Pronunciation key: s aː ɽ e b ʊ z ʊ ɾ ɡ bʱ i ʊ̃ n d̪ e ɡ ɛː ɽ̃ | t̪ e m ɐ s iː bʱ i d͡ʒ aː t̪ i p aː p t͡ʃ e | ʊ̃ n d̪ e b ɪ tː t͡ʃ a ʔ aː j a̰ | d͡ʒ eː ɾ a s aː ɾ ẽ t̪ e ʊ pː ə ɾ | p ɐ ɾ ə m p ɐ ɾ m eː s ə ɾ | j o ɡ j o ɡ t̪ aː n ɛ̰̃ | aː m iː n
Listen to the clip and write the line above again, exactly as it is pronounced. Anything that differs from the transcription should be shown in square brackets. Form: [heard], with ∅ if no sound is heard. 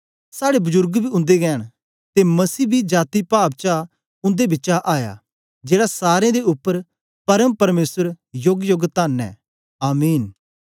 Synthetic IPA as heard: s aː ɽ e b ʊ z ʊ ɾ ɡ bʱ i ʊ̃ n d̪ e ɡ ɛː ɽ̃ | t̪ e m ɐ s iː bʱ i d͡ʒ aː t̪ i p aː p t͡ʃ [a] | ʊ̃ n d̪ e b ɪ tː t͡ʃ a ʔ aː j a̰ | d͡ʒ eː [ɽ] a s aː ɾ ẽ [d̪] e ʊ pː ə ɾ | p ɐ ɾ ə m p ɐ ɾ m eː s ə ɾ | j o ɡ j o ɡ t̪ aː n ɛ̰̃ | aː m iː n